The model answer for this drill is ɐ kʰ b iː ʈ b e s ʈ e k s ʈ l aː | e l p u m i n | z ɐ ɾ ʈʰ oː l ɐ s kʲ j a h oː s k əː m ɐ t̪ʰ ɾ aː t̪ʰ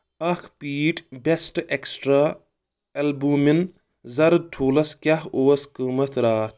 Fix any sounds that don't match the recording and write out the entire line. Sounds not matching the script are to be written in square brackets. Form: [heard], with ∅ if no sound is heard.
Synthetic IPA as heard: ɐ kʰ [p] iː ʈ b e s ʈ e k s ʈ [ɾ] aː | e l [b] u m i n | z ɐ ɾ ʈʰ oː l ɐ s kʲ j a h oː s k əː m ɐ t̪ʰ ɾ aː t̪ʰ